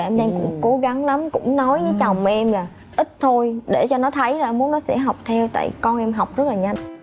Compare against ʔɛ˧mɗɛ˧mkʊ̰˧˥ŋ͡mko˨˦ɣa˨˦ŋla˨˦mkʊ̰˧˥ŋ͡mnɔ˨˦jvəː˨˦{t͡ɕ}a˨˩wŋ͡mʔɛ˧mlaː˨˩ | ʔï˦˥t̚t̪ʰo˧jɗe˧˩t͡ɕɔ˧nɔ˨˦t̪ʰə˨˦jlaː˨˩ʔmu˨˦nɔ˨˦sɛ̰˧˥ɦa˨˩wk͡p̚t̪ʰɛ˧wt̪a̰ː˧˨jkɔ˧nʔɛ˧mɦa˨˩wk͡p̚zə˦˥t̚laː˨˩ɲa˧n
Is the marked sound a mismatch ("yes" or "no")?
no